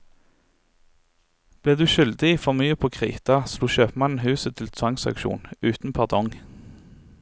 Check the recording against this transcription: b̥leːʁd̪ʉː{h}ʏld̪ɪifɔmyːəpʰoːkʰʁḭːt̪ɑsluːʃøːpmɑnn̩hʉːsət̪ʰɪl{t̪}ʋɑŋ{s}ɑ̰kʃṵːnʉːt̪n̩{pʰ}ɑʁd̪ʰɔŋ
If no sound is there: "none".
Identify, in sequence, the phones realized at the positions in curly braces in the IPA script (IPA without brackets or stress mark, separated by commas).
ʃ, t̪ʰ, s, pʰ